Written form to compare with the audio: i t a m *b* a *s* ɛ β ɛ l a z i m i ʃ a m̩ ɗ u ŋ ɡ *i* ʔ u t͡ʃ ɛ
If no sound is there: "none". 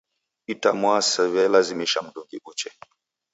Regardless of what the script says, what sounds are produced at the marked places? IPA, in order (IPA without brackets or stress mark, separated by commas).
w, s, i